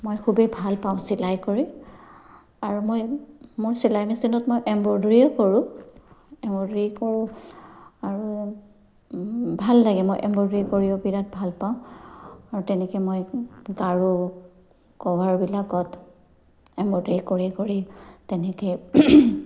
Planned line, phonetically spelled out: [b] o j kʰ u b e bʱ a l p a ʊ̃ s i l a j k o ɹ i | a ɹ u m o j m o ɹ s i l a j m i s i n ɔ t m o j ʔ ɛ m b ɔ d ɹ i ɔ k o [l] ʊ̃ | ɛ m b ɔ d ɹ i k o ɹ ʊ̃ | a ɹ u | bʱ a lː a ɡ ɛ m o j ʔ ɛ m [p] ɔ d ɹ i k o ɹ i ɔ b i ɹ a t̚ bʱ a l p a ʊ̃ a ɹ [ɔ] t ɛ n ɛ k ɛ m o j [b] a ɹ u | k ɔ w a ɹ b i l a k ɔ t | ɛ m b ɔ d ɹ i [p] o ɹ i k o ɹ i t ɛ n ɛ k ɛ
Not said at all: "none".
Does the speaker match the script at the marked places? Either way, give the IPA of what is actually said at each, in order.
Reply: m, ɹ, b, u, ɡ, k

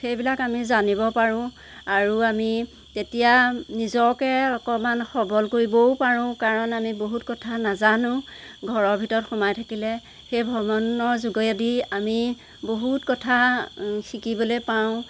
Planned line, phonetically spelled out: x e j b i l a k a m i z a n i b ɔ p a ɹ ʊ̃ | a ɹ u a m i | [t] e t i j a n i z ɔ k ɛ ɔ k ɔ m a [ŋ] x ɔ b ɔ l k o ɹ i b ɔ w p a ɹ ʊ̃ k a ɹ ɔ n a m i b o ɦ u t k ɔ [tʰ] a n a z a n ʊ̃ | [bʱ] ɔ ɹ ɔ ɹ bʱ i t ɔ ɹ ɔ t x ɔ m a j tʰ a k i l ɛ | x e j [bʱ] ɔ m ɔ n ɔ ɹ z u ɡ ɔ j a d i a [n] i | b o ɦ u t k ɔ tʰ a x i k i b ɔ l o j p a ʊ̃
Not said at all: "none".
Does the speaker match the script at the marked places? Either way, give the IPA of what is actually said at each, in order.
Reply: t, n, tʰ, ɡʱ, bʱ, m

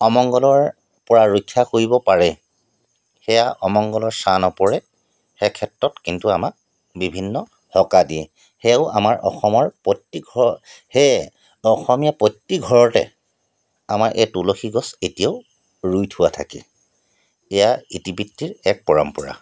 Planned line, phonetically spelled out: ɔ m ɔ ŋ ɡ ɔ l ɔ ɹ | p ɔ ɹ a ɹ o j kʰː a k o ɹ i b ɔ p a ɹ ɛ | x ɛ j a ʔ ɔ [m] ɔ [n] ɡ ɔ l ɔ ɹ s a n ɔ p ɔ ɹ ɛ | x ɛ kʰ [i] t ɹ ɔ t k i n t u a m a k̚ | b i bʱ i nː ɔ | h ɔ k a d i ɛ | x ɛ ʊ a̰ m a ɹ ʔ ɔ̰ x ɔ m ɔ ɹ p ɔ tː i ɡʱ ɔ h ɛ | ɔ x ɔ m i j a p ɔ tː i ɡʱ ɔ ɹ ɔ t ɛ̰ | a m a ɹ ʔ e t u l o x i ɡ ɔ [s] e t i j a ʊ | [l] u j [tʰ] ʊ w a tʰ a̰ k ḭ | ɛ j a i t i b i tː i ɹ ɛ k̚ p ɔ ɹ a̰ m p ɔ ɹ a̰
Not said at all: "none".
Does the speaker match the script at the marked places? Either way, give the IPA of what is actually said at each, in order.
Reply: m, ŋ, ɛ, s, ɹ, tʰ

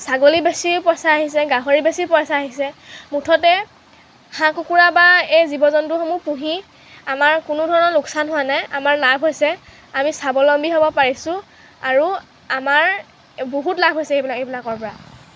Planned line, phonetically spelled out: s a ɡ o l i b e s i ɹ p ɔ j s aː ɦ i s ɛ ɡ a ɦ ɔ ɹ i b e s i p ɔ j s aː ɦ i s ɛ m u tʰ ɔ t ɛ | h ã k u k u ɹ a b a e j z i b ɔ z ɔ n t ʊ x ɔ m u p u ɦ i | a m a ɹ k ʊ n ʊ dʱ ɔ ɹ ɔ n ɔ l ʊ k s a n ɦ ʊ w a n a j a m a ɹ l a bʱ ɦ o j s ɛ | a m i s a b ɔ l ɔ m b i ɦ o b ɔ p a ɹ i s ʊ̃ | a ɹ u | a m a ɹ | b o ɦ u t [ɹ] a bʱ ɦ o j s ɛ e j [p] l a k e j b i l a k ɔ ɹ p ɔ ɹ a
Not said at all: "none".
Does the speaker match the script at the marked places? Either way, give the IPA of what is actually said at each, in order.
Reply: l, b

